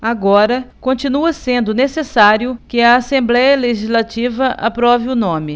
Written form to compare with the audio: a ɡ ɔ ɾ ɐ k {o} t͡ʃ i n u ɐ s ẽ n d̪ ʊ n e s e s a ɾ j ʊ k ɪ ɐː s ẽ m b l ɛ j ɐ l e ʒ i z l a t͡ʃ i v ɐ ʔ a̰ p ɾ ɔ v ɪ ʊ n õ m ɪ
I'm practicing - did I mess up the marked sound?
yes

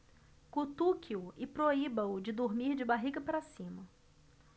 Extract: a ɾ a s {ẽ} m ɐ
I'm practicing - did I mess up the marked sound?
yes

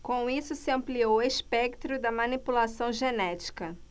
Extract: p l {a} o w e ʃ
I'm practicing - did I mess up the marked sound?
yes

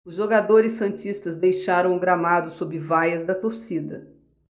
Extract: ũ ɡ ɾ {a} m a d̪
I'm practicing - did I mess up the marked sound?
no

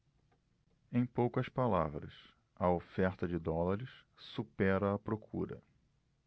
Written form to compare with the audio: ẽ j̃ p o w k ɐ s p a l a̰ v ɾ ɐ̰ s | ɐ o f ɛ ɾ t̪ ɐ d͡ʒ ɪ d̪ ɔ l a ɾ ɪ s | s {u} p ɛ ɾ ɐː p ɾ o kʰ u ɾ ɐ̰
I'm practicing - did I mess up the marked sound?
no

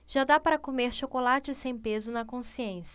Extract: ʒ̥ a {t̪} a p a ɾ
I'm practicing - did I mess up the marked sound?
yes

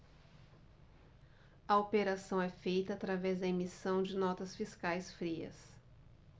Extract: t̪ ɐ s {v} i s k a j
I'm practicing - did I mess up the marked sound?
yes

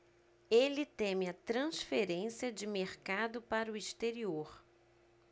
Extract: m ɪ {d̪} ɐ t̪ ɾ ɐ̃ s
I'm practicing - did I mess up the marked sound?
yes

